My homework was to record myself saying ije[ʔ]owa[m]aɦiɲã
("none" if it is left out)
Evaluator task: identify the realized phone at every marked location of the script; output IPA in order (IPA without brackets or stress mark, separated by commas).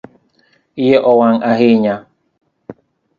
ʔ, ŋ